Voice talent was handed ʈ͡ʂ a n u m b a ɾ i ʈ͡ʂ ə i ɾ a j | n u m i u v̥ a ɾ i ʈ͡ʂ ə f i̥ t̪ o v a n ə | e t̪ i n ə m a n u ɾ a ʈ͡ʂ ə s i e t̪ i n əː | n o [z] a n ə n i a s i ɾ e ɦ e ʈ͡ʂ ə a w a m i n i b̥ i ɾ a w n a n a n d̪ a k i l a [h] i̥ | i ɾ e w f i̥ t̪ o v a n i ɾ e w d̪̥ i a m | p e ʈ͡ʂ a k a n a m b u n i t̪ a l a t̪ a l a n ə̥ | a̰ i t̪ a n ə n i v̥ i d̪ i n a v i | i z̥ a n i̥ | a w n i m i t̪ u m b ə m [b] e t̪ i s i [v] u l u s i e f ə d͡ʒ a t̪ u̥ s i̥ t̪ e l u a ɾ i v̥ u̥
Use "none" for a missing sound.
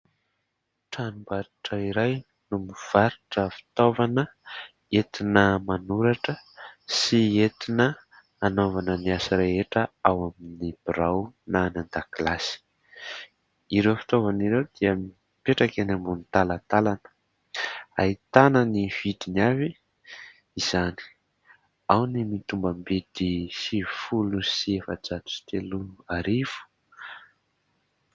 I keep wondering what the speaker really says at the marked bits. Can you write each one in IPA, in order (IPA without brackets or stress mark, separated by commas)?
v, s, b, f